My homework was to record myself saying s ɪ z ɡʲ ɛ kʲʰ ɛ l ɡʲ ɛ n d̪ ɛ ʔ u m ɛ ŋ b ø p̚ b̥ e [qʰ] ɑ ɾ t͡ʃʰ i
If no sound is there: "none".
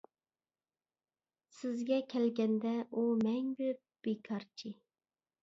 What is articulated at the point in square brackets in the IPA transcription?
kʰ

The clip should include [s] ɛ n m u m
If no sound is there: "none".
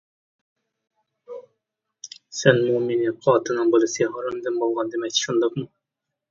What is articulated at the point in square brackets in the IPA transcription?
s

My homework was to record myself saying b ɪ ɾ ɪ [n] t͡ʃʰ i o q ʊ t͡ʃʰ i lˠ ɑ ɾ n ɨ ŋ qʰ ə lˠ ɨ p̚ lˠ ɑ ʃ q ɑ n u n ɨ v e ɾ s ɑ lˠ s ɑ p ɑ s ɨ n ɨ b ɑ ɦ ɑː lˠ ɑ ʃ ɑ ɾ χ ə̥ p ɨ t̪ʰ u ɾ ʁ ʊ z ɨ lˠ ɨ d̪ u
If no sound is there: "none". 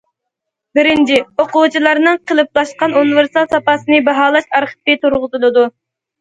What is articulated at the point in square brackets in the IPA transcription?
n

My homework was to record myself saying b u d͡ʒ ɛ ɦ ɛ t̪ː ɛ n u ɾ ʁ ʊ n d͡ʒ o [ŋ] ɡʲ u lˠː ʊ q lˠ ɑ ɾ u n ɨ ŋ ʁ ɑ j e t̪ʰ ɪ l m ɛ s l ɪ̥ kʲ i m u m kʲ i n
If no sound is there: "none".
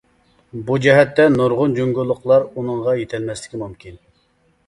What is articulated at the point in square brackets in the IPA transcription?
ŋ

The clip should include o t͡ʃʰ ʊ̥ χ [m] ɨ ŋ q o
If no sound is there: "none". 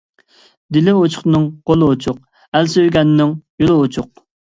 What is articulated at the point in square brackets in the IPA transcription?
n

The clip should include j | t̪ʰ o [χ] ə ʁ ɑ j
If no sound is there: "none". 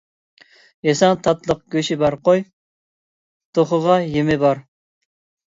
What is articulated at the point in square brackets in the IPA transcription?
χ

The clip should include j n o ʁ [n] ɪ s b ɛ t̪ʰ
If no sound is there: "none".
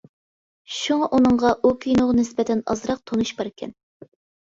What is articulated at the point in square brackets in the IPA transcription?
n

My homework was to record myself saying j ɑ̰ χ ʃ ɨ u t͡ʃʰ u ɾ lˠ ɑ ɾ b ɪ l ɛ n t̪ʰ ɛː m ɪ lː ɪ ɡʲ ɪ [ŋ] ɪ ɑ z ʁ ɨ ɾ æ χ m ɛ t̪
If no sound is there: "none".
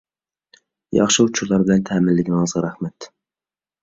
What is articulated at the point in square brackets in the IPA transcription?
n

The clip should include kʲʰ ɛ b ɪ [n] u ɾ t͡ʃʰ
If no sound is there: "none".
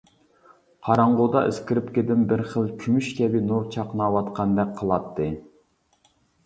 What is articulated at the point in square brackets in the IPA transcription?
n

